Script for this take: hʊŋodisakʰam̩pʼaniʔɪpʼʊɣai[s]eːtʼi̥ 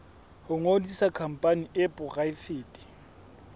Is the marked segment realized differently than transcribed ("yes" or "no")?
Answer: yes